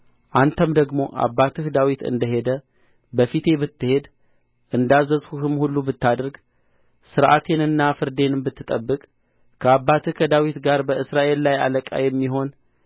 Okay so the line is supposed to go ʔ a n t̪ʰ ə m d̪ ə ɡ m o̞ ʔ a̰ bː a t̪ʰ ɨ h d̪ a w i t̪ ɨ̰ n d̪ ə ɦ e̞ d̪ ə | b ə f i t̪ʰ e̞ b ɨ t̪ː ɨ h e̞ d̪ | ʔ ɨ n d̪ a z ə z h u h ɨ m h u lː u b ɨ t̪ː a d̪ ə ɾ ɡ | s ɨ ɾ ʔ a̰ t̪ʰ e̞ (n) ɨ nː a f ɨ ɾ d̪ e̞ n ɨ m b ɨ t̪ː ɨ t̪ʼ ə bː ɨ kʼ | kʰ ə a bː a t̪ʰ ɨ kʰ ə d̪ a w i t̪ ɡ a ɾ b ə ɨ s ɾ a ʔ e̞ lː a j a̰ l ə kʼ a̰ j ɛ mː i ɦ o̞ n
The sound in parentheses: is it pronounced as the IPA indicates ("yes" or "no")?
yes